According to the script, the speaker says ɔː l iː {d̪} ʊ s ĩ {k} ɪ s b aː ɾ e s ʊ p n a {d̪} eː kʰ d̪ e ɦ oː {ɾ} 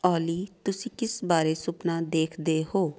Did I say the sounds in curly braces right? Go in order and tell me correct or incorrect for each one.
incorrect, correct, correct, incorrect

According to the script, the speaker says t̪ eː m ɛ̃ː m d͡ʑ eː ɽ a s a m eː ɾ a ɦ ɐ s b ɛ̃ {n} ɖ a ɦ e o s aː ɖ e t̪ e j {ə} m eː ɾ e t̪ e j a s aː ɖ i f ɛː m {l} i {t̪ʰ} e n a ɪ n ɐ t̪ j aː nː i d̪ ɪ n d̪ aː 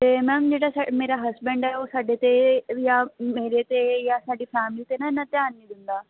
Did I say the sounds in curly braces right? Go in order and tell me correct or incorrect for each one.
incorrect, incorrect, correct, incorrect

